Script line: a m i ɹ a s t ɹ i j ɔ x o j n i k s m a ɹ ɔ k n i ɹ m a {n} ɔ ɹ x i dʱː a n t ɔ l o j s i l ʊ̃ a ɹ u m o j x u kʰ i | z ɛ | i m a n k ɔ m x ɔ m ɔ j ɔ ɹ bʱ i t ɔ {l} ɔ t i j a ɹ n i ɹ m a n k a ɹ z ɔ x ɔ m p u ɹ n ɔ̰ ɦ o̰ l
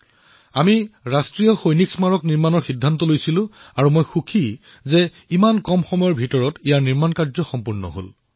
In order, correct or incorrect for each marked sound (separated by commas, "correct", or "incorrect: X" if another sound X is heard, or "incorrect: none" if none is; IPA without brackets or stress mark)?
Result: correct, incorrect: ɹ